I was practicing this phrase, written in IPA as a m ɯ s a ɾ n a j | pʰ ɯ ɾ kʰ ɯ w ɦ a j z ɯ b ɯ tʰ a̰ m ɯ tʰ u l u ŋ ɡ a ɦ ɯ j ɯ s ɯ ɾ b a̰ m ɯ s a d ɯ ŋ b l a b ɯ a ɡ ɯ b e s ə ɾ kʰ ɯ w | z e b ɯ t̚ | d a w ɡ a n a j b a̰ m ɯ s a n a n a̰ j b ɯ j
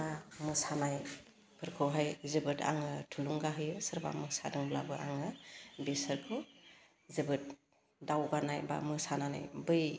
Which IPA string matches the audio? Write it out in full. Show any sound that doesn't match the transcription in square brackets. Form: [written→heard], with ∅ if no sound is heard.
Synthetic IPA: a m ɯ s a [ɾ→∅] n a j | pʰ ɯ ɾ kʰ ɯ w ɦ a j z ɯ b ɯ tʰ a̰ [m→ŋ] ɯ tʰ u l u ŋ ɡ a ɦ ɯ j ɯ s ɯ ɾ b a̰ m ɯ s a d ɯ ŋ b l a b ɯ a [ɡ→ŋ] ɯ b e s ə ɾ kʰ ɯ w | z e b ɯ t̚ | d a w ɡ a n a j b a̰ m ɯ s a n a n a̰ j b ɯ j